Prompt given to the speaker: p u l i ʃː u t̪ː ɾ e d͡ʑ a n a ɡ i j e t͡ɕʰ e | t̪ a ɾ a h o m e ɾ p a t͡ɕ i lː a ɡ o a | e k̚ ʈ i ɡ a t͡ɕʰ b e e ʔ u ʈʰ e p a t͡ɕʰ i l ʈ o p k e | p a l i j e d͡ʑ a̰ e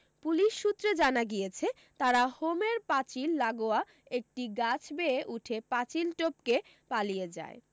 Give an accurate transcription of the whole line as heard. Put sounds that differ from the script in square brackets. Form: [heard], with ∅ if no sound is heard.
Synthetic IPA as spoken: p u l i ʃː u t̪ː ɾ e d͡ʑ a n a ɡ i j e t͡ɕʰ e | t̪ a ɾ a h o m e ɾ p a t͡ɕ i lː a ɡ o a | e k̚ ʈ i ɡ a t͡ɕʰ b e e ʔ u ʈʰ e p a [t͡ɕ] i l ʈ o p k e | p a l i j e d͡ʑ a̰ e